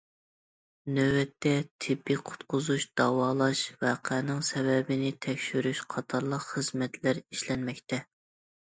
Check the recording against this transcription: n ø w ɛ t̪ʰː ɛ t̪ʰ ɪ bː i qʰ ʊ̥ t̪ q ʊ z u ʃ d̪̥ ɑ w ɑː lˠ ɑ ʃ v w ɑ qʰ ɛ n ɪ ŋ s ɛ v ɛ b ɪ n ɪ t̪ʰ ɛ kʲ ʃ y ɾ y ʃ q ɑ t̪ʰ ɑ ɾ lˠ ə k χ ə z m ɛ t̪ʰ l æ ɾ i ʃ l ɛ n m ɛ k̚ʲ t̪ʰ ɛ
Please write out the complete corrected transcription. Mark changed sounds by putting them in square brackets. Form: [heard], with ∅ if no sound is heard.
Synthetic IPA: n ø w ɛ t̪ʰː ɛ t̪ʰ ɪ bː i qʰ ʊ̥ t̪ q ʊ z u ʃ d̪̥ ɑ w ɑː lˠ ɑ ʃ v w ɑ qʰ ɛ n ɪ ŋ s ɛ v ɛ b ɪ n ɪ t̪ʰ ɛ kʲ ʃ y ɾ y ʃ [qʰ] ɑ t̪ʰ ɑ ɾ lˠ ə [q] χ ə z m ɛ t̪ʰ l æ ɾ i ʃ l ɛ n m ɛ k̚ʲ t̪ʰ ɛ